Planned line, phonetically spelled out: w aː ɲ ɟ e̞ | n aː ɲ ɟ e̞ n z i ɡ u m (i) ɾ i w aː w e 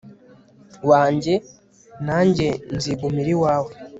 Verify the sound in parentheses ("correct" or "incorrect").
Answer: correct